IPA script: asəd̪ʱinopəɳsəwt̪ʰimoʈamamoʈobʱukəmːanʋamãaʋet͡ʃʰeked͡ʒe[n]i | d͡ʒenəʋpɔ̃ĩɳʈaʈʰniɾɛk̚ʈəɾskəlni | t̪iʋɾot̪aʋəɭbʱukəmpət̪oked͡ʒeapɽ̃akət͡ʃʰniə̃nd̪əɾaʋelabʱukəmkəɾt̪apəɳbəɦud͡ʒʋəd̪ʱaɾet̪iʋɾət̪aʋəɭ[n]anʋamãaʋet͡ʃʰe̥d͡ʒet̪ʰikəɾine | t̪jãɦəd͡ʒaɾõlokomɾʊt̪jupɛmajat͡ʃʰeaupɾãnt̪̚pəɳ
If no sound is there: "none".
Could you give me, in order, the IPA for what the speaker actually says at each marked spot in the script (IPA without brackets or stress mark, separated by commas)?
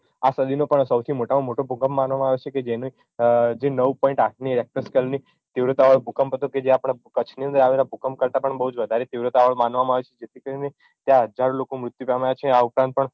n, m